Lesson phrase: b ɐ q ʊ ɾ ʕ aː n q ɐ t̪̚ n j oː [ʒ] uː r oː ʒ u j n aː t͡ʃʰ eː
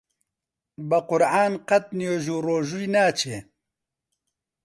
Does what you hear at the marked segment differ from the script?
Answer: no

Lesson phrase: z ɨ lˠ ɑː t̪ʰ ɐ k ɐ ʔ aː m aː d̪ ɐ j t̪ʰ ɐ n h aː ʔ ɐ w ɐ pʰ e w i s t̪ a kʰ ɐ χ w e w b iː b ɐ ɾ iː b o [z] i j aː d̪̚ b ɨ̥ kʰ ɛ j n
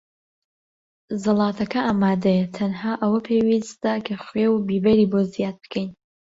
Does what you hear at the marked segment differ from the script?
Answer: no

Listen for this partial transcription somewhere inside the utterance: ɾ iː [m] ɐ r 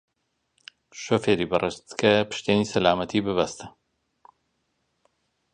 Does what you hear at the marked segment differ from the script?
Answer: yes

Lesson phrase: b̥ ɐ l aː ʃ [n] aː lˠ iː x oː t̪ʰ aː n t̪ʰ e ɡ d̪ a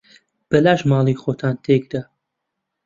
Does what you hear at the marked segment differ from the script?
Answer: yes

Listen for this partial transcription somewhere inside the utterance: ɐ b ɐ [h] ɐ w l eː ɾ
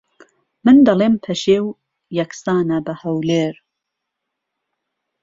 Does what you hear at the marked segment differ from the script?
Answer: no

